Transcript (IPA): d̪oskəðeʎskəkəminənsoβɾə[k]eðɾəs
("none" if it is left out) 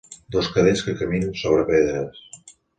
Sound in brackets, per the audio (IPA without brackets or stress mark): p